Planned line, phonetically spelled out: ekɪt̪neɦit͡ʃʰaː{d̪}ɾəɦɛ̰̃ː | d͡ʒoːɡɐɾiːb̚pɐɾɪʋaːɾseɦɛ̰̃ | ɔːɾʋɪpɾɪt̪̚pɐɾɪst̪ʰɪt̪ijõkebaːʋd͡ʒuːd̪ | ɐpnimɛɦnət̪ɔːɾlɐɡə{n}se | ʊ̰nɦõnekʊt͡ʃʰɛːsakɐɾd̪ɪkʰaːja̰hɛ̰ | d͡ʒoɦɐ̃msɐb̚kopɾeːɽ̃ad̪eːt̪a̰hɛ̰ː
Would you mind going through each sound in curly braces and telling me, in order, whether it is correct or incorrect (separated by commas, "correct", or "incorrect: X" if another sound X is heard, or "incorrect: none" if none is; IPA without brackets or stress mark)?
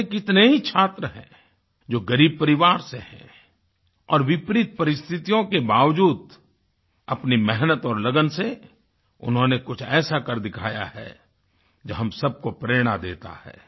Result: incorrect: t̪, correct